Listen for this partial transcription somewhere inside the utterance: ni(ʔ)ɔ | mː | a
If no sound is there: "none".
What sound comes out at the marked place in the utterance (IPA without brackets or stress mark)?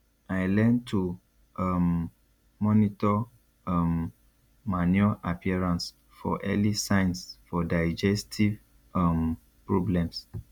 t